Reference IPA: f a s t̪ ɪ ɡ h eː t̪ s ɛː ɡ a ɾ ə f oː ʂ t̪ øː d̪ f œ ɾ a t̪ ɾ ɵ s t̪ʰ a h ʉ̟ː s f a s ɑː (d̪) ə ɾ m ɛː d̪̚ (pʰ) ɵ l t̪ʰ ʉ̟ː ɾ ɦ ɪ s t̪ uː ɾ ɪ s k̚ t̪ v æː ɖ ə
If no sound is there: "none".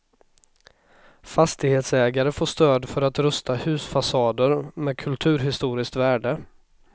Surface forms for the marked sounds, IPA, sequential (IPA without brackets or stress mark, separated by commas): d̪, kʰ